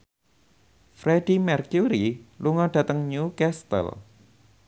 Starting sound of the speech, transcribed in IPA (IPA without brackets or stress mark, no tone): f